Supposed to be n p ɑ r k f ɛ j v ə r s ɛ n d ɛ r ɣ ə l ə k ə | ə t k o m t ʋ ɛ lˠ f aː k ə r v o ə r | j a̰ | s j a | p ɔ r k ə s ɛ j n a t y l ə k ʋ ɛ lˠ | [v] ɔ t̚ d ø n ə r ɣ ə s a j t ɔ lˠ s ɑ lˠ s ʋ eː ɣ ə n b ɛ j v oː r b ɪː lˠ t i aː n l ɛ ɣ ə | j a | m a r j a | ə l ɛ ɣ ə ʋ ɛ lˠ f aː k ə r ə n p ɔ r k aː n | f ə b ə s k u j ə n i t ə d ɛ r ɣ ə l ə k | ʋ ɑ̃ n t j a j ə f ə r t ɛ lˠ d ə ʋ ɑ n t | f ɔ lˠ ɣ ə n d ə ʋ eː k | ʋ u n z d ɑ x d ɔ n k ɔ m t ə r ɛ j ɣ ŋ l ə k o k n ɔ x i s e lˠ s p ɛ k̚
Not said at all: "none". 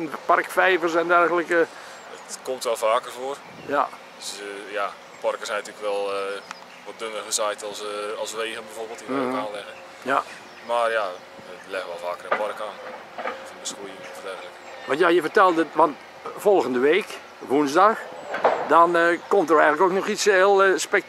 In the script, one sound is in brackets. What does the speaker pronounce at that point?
ʋ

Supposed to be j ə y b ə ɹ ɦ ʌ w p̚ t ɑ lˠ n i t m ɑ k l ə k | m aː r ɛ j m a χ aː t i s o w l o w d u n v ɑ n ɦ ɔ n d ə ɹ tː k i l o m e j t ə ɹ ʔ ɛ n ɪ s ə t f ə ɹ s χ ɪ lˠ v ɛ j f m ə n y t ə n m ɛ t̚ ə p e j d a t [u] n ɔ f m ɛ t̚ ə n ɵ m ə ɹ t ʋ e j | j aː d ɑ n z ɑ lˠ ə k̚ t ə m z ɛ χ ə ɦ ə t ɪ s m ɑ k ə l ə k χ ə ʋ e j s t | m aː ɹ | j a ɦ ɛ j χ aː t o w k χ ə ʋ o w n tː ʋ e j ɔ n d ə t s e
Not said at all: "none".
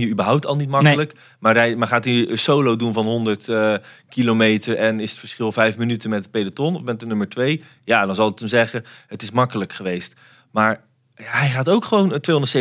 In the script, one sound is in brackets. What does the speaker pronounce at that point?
ɔ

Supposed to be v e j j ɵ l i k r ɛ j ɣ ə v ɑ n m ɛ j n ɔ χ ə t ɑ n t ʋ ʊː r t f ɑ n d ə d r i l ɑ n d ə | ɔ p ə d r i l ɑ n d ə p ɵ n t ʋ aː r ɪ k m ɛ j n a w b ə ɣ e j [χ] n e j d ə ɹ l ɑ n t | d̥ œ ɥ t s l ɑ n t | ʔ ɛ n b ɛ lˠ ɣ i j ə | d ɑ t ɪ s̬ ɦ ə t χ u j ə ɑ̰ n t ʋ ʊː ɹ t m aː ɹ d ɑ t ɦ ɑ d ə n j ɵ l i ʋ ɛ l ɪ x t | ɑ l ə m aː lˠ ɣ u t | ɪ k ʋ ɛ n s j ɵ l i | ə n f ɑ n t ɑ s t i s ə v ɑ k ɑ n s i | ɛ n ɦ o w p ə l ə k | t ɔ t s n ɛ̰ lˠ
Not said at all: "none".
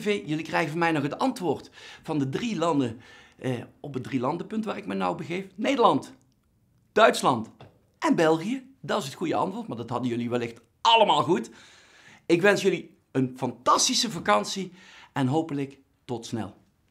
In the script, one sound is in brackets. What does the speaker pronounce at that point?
f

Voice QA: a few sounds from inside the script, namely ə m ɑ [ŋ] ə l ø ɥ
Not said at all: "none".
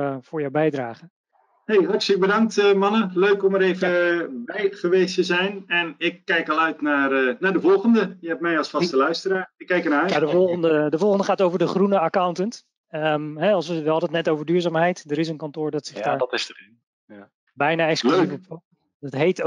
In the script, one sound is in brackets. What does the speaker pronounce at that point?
n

